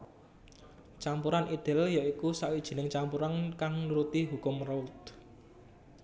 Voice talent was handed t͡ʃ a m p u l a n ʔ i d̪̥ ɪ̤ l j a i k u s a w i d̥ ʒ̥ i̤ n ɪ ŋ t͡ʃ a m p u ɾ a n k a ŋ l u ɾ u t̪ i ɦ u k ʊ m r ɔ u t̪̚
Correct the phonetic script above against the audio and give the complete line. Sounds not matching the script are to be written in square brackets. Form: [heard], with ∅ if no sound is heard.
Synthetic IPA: t͡ʃ a m p u [ɾ] a n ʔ i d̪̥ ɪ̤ l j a i k u s a w i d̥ ʒ̥ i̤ n ɪ ŋ t͡ʃ a m p u ɾ a n k a ŋ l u ɾ u t̪ i ɦ u k ʊ m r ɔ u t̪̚